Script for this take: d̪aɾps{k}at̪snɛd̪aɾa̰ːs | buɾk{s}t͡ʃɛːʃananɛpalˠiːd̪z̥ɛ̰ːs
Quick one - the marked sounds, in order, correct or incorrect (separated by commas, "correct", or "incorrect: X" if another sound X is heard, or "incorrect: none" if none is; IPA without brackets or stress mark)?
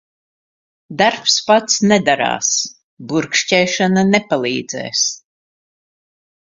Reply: incorrect: p, incorrect: ʃ